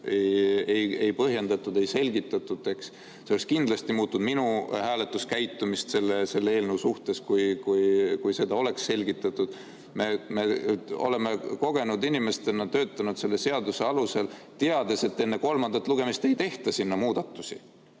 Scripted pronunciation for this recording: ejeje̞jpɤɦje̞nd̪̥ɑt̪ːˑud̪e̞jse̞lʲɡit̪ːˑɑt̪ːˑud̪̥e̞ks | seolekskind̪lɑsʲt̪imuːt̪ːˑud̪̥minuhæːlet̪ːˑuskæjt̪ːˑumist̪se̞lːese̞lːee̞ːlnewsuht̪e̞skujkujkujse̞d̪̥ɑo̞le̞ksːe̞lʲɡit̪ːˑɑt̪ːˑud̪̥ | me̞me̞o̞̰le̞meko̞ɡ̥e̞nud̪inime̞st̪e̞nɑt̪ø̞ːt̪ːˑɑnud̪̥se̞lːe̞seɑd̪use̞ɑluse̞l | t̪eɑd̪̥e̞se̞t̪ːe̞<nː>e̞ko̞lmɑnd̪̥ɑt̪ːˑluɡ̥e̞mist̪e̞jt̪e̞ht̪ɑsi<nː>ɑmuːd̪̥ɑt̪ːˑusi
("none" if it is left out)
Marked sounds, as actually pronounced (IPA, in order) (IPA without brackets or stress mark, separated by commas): nː, nː